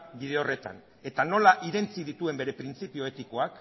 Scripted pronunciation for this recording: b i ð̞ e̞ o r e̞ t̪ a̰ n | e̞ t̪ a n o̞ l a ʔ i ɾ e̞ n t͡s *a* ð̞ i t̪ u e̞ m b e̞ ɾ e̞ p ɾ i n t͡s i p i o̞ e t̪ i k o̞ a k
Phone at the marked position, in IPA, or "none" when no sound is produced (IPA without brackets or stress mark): i